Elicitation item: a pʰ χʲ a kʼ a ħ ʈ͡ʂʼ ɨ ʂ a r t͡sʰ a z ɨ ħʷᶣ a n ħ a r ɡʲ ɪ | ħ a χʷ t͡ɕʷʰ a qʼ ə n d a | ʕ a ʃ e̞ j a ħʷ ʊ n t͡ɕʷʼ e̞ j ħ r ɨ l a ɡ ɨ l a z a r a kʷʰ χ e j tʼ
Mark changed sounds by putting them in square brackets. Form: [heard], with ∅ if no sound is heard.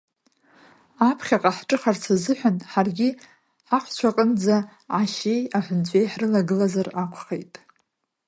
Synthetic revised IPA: a pʰ χʲ a [qʼ] a ħ ʈ͡ʂʼ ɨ [χ] a r t͡sʰ a z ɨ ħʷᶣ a n ħ a r ɡʲ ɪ | ħ a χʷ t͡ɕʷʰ a qʼ ə n [d͡z] a | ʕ a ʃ e̞ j a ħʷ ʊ n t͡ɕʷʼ e̞ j ħ r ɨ l a ɡ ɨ l a z a r a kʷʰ χ e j tʼ